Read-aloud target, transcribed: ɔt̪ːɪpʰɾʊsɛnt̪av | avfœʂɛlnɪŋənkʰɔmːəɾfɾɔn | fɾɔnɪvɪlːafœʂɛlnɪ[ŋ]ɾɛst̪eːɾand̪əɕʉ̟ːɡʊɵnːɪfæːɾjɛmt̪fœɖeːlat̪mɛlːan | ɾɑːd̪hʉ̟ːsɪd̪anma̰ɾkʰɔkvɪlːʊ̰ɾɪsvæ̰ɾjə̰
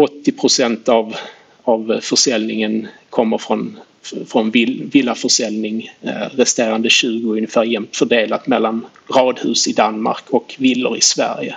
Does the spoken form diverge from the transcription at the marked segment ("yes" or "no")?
no